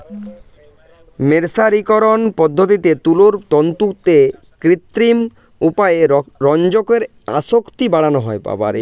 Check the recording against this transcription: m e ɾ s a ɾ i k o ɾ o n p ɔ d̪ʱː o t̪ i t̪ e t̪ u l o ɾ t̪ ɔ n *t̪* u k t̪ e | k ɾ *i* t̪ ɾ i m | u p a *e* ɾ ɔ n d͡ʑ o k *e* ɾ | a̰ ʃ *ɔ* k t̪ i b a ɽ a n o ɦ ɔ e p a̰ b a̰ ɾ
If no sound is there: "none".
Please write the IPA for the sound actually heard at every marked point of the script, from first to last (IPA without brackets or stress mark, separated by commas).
t̪, i, e, e, o